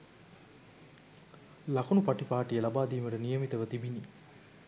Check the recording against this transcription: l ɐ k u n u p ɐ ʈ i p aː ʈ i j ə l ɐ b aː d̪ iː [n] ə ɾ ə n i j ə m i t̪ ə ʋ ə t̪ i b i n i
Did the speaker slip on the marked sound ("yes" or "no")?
yes